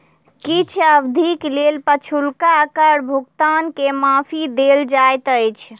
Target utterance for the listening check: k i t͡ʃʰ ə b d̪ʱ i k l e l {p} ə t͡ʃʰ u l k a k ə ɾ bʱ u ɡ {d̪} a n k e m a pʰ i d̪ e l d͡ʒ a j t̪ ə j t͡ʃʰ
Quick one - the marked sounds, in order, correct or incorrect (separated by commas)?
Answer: correct, incorrect